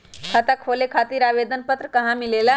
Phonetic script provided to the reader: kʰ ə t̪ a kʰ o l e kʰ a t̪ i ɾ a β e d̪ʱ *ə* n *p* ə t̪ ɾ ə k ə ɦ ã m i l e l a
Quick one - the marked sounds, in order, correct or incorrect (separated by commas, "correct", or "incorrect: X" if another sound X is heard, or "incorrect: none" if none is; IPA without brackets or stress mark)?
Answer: correct, correct